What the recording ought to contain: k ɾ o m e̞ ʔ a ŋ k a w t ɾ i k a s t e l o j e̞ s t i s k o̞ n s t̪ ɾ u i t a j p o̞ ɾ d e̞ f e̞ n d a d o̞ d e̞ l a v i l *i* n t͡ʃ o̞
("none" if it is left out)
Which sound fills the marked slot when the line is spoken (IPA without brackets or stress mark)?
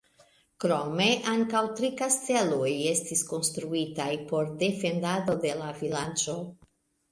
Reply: a